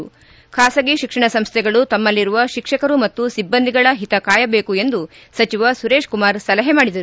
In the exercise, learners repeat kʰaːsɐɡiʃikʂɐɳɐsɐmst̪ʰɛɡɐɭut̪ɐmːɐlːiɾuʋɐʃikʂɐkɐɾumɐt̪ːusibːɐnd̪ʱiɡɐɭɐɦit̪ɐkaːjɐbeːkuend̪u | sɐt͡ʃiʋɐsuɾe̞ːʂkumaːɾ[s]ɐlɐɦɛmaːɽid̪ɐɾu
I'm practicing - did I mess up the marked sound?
no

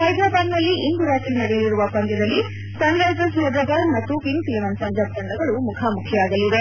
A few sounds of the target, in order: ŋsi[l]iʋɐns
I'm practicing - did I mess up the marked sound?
no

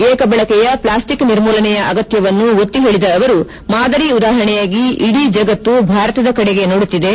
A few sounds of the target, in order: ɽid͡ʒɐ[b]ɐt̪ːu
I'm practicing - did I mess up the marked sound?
yes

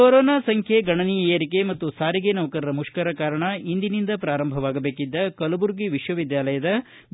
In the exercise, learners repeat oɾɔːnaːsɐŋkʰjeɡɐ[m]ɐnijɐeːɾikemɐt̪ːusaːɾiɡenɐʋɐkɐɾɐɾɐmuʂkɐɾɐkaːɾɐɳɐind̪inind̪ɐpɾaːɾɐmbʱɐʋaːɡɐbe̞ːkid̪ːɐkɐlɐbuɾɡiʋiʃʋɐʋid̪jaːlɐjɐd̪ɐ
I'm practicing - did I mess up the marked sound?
yes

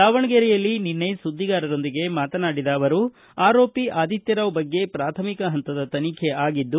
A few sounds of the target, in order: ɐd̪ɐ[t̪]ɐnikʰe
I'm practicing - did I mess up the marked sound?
no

